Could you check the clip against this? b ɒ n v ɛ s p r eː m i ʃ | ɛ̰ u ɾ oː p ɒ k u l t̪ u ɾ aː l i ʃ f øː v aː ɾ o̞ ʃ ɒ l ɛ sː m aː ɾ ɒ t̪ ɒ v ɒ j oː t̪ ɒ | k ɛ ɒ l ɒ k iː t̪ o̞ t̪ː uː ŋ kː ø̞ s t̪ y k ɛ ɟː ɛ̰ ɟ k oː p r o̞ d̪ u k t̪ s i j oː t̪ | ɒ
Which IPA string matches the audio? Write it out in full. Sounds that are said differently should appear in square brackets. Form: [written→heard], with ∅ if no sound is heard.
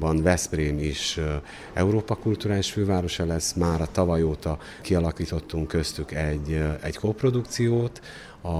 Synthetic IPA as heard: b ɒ n v ɛ s p r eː m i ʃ | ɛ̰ u ɾ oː p ɒ k u l t̪ u ɾ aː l i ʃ f øː v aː ɾ o̞ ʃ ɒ l ɛ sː m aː ɾ ɒ t̪ ɒ v ɒ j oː t̪ ɒ | k [ɛ→i] ɒ l ɒ k iː t̪ o̞ t̪ː [uː→u] ŋ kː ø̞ s t̪ y k ɛ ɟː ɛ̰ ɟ k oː p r o̞ d̪ u k t̪ s i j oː t̪ | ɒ